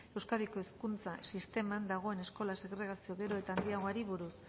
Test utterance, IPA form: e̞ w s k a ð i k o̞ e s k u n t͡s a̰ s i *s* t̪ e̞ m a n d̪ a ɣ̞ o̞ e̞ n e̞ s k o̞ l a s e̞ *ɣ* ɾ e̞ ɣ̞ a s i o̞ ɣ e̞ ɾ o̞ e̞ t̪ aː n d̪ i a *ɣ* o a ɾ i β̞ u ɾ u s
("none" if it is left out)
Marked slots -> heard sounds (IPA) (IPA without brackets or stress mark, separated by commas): s, ɣ, ɣ